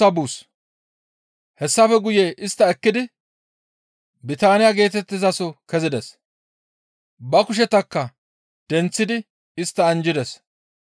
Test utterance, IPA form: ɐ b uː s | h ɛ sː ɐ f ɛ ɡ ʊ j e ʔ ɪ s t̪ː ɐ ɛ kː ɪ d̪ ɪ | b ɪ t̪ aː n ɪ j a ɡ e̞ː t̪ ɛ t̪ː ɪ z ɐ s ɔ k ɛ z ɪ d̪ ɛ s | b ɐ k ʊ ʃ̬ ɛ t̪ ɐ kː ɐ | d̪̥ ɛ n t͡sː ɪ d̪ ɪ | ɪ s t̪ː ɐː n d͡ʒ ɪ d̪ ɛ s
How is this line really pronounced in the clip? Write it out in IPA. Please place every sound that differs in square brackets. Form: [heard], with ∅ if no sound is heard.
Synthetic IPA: ɐ b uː s | h ɛ sː ɐ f ɛ ɡ ʊ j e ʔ ɪ s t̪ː ɐ ɛ kː ɪ d̪ ɪ | b ɪ t̪ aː n ɪ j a ɡ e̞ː t̪ ɛ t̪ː ɪ z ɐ s ɔ k ɛ z ɪ d̪ ɛ s | b ɐ k ʊ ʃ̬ ɛ t̪ ɐ kː ɐ | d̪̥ ɛ n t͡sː ɪ d̪ ɪ | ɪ s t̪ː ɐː n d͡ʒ ɪ d̪ ɛ s

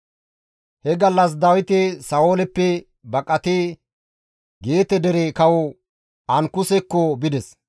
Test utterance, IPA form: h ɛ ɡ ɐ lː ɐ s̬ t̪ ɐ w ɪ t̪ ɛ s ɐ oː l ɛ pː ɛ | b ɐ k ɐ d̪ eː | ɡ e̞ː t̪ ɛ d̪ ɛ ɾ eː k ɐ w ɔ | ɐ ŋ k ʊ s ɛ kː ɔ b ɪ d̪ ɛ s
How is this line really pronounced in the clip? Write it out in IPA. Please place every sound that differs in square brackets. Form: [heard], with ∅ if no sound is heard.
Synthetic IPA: h ɛ ɡ ɐ lː ɐ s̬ [d̪] ɐ w ɪ t̪ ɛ s ɐ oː l ɛ pː ɛ | b ɐ [kʼ] ɐ [t̪] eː | ɡ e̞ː t̪ ɛ d̪ ɛ ɾ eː k ɐ w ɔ | ɐ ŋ k ʊ s ɛ kː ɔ b ɪ d̪ ɛ s

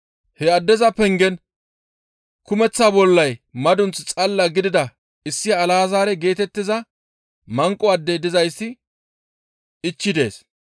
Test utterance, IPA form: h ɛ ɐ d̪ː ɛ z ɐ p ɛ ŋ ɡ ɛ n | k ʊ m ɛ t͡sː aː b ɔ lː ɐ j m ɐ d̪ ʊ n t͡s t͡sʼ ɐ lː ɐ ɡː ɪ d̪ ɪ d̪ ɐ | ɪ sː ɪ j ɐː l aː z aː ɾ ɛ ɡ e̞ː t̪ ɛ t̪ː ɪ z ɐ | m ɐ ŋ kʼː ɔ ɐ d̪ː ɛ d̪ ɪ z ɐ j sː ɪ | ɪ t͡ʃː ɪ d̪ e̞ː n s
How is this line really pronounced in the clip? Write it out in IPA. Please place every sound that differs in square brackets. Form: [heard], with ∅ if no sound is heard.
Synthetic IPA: h ɛ ɐ d̪ː ɛ z ɐ p ɛ ŋ ɡ ɛ n | k ʊ m ɛ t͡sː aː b ɔ lː ɐ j m ɐ d̪ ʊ n t͡s t͡sʼ ɐ lː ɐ [ɡ] ɪ d̪ ɪ d̪ ɐ | ɪ sː ɪ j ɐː l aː z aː ɾ ɛ ɡ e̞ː t̪ ɛ t̪ː ɪ z ɐ | m ɐ ŋ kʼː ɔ ɐ d̪ː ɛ d̪ ɪ z ɐ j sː ɪ | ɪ t͡ʃː ɪ d̪ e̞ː [∅] s

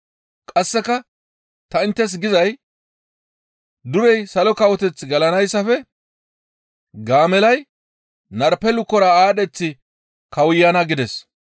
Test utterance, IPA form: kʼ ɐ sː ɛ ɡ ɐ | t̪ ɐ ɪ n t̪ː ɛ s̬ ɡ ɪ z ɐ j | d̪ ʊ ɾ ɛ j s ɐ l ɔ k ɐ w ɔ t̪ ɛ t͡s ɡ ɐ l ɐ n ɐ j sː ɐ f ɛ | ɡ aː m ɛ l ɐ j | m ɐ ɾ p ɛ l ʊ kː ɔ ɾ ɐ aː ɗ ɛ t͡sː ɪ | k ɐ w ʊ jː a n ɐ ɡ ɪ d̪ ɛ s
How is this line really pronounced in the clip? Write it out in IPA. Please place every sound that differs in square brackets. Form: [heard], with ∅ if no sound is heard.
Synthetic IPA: kʼ ɐ sː ɛ [k] ɐ | t̪ ɐ ɪ n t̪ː ɛ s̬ ɡ ɪ z ɐ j | d̪ ʊ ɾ ɛ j s ɐ l ɔ k ɐ w ɔ t̪ ɛ t͡s ɡ ɐ l ɐ n ɐ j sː ɐ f ɛ | ɡ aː m ɛ l ɐ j | [n] ɐ ɾ p ɛ l ʊ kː ɔ ɾ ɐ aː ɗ ɛ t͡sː ɪ | k ɐ w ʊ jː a n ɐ ɡ ɪ d̪ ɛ s

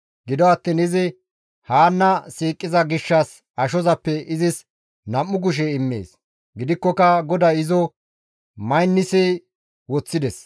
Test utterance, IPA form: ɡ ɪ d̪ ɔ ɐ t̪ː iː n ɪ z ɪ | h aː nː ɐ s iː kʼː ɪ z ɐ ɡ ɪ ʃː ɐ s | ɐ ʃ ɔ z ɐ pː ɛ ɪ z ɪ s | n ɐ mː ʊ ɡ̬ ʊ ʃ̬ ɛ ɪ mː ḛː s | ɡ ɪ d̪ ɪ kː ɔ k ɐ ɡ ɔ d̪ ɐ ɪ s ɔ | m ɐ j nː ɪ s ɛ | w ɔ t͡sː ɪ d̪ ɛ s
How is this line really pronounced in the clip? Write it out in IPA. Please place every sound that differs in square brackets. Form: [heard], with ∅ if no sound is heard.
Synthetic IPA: ɡ ɪ d̪ ɔ ɐ t̪ː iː n ɪ z ɪ | h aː nː ɐ s iː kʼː ɪ z ɐ ɡ ɪ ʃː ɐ s | ɐ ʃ ɔ z ɐ pː ɛ ɪ z ɪ s | n ɐ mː ʊ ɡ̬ ʊ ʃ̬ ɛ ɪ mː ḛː s | ɡ ɪ d̪ ɪ kː ɔ k ɐ ɡ ɔ d̪ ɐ ɪ [z] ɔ | m ɐ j nː ɪ s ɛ | w ɔ t͡sː ɪ d̪ ɛ s

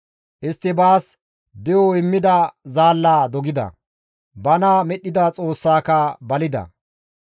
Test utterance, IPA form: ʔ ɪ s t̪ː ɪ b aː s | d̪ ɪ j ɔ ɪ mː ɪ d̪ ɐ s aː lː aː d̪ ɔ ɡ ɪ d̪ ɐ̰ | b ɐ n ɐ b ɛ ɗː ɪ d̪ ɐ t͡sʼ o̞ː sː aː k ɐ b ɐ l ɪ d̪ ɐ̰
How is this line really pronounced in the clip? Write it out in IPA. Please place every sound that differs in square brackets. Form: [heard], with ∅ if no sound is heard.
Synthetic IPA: ʔ ɪ s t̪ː ɪ b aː s | d̪ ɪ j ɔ ɪ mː ɪ d̪ ɐ [z] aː lː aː d̪ ɔ ɡ ɪ d̪ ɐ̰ | b ɐ n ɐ [m] ɛ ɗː ɪ d̪ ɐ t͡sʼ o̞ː sː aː k ɐ b ɐ l ɪ d̪ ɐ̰

